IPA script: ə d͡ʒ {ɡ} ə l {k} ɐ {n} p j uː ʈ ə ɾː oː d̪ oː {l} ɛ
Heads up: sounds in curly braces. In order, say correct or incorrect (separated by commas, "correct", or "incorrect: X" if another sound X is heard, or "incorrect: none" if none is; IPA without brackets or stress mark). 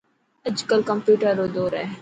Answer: incorrect: k, correct, incorrect: m, incorrect: ɾ